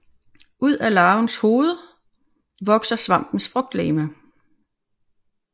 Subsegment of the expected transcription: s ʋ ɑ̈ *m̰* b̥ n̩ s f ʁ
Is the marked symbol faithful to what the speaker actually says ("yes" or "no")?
yes